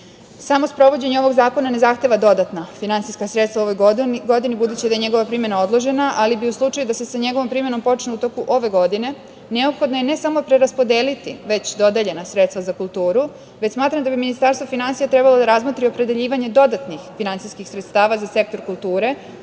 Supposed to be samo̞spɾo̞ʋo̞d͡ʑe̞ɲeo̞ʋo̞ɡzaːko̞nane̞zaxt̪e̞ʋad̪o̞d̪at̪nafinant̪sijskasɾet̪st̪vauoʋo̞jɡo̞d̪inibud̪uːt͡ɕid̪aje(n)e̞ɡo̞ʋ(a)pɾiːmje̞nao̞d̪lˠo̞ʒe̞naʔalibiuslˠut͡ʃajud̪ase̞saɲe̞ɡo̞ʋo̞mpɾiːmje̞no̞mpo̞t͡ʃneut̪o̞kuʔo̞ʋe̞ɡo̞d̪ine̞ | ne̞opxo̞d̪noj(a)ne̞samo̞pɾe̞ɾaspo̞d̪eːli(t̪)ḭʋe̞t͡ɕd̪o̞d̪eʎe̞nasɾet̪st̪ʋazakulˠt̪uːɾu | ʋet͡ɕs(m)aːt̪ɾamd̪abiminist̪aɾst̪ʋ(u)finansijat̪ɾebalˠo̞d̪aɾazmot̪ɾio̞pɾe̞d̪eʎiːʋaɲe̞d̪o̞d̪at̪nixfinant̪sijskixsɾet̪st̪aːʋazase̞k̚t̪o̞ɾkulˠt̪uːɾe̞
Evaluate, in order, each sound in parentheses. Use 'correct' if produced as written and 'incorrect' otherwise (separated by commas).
incorrect, correct, incorrect, correct, correct, incorrect